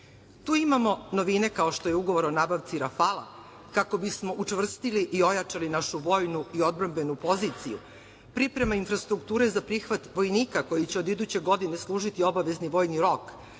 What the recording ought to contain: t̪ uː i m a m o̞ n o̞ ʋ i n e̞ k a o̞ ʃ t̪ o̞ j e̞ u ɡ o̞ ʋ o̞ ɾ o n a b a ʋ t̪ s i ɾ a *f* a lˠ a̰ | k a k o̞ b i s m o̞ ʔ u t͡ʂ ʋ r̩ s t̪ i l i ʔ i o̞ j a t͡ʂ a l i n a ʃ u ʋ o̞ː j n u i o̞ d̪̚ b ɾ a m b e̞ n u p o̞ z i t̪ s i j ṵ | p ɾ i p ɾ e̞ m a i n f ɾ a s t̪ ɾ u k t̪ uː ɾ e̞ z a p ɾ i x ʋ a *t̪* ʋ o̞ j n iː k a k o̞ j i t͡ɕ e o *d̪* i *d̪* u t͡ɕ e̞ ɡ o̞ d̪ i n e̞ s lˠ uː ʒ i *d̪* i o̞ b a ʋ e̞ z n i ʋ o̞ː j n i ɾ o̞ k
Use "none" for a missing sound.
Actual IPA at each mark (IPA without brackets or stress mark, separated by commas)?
f, t̪, d̪, d̪, t̪